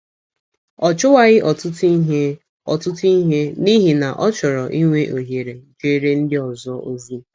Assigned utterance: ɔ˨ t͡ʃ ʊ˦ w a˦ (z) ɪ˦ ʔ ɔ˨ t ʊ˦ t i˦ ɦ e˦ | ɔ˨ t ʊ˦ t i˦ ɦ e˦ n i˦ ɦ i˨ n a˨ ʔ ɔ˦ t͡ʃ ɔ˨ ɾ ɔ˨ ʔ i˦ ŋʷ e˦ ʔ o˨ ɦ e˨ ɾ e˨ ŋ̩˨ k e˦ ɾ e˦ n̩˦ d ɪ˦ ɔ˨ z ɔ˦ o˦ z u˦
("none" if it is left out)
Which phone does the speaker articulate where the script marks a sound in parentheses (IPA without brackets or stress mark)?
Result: ɣ